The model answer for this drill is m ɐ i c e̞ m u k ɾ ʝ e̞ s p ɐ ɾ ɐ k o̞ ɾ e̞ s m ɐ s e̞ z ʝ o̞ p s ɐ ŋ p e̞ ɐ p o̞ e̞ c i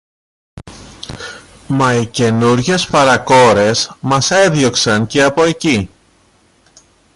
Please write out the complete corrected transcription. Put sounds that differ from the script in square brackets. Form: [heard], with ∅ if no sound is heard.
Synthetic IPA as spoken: m ɐ i c e̞ [n] u [∅] ɾ ʝ e̞ s p ɐ ɾ ɐ k o̞ ɾ e̞ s m ɐ s e̞ [ð] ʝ o̞ [k] s ɐ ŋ [c] e̞ ɐ p o̞ e̞ c i